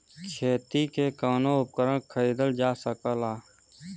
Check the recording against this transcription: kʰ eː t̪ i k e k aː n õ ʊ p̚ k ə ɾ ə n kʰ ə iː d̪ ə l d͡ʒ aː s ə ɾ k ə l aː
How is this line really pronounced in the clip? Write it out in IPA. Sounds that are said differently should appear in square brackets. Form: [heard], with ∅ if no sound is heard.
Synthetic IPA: kʰ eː t̪ i k e k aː n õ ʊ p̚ k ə ɾ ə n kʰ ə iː d̪ ə l d͡ʒ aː s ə [∅] k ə l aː